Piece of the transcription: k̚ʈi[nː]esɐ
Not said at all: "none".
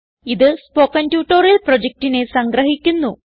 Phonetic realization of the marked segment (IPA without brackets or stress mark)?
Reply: n